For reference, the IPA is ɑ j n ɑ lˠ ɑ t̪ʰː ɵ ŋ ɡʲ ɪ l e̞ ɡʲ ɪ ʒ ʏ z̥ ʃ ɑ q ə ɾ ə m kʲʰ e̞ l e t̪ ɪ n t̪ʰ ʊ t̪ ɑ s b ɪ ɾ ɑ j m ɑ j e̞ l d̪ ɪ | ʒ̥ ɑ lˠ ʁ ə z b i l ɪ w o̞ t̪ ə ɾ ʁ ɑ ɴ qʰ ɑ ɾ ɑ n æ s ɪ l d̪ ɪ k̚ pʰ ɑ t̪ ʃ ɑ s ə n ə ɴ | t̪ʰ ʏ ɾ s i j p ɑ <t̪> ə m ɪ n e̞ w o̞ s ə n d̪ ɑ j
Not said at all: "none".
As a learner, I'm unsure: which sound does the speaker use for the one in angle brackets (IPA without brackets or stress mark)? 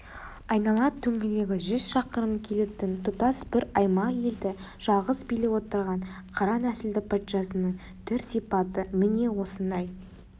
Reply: t̪